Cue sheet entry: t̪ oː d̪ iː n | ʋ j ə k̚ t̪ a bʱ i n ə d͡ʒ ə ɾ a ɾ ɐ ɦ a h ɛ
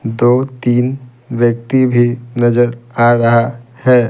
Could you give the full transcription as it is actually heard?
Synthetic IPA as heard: d̪ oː t̪ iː n | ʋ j ə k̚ t̪ i bʱ i n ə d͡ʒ ə ɾ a ɾ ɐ ɦ a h ɛ